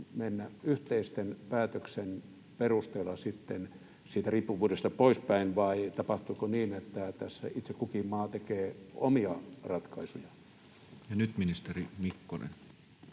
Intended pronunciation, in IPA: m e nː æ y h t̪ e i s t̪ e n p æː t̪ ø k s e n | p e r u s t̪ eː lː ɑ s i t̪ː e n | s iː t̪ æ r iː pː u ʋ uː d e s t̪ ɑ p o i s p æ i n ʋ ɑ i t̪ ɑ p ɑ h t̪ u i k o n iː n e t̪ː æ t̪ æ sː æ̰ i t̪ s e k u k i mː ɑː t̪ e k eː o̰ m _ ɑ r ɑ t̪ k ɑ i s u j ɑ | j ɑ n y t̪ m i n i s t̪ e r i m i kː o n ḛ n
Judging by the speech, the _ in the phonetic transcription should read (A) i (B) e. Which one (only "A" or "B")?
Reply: A